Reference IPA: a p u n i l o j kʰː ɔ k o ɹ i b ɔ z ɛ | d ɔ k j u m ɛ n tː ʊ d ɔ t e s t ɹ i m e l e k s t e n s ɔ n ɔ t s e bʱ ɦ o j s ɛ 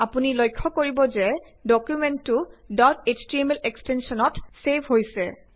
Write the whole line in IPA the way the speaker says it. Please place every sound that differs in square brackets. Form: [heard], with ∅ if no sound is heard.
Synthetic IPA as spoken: a p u n i l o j kʰː ɔ k o ɹ i b ɔ z ɛ | d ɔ k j u m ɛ n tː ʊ d ɔ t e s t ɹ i m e l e k s t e n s ɔ n ɔ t s e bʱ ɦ o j s ɛ